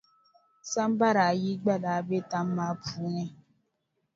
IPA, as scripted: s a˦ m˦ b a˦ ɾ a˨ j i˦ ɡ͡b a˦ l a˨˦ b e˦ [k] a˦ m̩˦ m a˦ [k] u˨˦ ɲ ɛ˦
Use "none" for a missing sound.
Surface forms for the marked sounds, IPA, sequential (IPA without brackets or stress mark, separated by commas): t, p